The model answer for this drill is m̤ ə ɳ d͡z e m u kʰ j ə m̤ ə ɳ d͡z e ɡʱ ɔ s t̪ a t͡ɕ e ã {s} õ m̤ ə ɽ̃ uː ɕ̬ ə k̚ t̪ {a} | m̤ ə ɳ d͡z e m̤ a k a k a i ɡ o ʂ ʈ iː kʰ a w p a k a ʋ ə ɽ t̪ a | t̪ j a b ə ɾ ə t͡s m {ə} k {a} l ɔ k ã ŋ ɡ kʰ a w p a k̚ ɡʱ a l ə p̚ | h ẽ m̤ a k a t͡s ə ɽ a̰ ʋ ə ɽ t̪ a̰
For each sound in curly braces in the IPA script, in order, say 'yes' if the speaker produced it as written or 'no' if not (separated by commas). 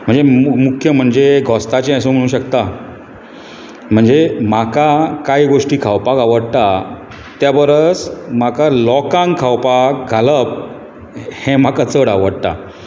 yes, yes, no, yes